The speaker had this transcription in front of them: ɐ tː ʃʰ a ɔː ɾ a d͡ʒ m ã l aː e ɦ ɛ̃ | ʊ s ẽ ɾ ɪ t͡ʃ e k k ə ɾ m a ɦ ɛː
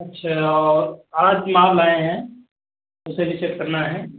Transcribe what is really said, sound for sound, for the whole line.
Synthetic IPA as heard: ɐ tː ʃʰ a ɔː ɾ a d͡ʒ m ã l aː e ɦ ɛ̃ | ʊ s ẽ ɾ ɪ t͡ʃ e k k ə ɾ n a ɦ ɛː